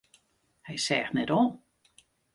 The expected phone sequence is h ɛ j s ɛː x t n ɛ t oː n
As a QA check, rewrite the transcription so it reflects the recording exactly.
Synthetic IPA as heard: h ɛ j s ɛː x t n ɛ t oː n